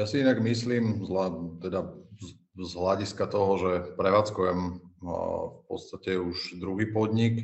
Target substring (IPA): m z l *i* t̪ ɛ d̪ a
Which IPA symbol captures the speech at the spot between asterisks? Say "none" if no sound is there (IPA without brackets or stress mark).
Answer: a